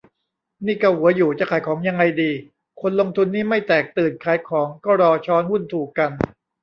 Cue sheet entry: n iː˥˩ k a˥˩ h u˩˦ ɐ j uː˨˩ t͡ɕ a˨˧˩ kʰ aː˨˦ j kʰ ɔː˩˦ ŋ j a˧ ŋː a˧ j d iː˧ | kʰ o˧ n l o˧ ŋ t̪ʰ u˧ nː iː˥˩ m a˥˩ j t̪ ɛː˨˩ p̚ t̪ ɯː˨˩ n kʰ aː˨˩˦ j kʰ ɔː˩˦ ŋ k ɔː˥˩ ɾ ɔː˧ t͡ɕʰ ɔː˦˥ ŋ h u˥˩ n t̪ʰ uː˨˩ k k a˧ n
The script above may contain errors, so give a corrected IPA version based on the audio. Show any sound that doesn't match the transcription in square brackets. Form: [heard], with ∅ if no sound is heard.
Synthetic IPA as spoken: n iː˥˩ k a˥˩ h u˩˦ ɐ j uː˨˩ t͡ɕ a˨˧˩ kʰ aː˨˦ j kʰ ɔː˩˦ ŋ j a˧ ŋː a˧ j d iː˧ | kʰ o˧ n l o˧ ŋ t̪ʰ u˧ nː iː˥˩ m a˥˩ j t̪ ɛː˨˩ [k̚] t̪ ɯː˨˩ n kʰ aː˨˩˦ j kʰ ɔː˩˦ ŋ k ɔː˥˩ ɾ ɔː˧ t͡ɕʰ ɔː˦˥ [n] h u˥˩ n t̪ʰ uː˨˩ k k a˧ n